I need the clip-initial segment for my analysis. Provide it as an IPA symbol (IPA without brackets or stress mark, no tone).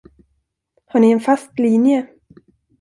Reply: h